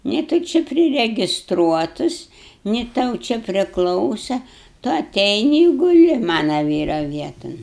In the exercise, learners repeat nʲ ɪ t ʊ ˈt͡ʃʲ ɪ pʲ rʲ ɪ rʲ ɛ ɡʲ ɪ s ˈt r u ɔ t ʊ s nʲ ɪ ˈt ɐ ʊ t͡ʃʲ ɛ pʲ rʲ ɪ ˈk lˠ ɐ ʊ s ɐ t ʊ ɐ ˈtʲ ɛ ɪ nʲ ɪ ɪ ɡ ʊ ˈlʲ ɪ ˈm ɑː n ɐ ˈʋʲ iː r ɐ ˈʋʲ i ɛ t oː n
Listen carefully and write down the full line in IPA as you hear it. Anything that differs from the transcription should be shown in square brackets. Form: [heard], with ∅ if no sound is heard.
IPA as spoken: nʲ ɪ t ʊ ˈt͡ʃʲ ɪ pʲ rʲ ɪ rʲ ɛ ɡʲ ɪ s ˈt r u ɔ t ʊ s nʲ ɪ ˈt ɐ ʊ t͡ʃʲ ɛ pʲ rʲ ɪ ˈk lˠ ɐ ʊ s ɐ t ʊ ɐ ˈtʲ ɛ ɪ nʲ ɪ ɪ ɡ ʊ ˈlʲ ɪ ˈm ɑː n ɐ ˈʋʲ iː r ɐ ˈʋʲ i ɛ t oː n